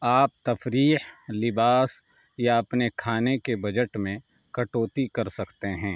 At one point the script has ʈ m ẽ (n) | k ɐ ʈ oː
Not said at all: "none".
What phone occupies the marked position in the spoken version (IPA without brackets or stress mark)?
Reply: none